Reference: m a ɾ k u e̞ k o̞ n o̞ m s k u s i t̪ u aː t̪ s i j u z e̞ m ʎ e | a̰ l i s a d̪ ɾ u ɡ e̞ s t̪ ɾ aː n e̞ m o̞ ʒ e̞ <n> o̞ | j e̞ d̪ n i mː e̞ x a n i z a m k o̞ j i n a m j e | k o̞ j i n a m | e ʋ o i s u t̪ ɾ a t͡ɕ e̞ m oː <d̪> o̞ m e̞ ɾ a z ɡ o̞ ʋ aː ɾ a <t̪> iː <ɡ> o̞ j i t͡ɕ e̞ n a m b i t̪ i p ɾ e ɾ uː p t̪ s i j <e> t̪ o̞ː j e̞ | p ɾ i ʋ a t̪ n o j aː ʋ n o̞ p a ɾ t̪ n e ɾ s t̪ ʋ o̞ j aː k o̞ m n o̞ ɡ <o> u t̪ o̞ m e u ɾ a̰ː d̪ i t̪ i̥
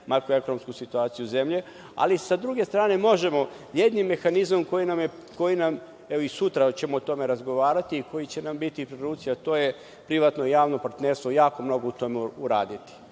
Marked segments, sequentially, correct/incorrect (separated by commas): incorrect, incorrect, correct, incorrect, incorrect, correct